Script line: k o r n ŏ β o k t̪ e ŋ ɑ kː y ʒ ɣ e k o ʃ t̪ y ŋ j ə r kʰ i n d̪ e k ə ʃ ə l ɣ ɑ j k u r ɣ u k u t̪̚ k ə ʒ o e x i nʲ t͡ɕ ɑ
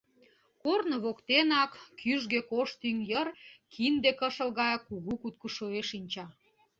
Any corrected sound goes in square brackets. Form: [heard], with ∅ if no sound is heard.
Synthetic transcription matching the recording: k o r n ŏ β o k t̪ e [n] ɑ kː y ʒ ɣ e k o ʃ t̪ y ŋ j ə r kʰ i n d̪ e k ə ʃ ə l ɣ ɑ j k u [∅] ɣ u k u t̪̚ k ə [ʃ] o e [ʃ] i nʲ t͡ɕ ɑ